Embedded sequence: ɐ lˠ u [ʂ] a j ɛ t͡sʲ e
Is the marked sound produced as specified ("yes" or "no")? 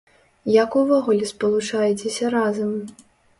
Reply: no